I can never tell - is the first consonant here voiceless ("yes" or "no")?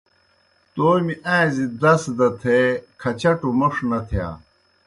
yes